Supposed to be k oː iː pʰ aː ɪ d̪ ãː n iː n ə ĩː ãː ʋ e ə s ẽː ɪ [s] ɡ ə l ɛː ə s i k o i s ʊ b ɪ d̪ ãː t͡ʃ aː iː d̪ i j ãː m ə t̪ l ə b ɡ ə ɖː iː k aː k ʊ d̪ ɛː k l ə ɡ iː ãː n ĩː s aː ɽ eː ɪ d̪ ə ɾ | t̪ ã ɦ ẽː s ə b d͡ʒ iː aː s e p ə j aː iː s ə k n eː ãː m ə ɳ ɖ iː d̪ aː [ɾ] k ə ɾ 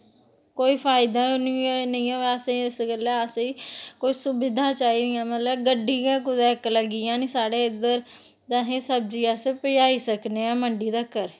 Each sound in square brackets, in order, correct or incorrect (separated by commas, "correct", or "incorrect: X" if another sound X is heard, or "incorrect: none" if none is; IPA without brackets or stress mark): correct, incorrect: none